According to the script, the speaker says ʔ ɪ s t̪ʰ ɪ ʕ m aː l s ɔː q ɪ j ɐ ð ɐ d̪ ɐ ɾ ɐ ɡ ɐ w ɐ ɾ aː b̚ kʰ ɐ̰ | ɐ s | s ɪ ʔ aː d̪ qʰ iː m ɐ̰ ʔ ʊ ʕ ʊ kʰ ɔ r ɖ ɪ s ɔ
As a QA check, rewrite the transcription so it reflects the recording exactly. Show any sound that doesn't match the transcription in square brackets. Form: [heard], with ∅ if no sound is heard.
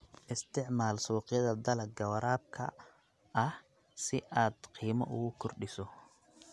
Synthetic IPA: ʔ ɪ s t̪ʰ ɪ ʕ m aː l s [uː] q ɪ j ɐ ð ɐ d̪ ɐ [l] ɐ ɡ ɐ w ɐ ɾ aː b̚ kʰ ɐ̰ | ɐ [h] | s ɪ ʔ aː d̪ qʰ iː m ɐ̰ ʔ ʊ [ɣ] ʊ kʰ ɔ r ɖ ɪ s ɔ